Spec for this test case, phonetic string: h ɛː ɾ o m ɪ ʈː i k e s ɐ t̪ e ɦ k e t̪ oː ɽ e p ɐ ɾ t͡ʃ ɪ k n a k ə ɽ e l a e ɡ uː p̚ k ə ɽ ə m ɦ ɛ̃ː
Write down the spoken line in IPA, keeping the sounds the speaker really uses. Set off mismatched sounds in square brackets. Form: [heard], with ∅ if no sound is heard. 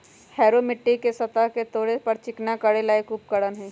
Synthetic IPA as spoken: h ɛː ɾ o m ɪ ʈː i k e s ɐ t̪ [a] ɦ k e t̪ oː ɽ e p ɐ ɾ t͡ʃ ɪ k n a k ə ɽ e l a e [k] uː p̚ k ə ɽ ə [n] ɦ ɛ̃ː